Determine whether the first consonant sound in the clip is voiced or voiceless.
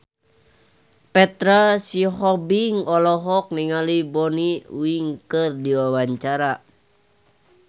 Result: voiceless